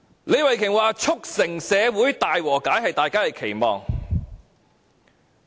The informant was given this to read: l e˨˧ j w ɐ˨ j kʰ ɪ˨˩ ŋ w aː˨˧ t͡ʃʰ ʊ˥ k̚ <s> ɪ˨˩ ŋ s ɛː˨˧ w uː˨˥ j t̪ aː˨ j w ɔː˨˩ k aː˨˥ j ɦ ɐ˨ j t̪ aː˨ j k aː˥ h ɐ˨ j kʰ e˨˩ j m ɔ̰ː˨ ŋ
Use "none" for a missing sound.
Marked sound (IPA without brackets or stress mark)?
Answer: s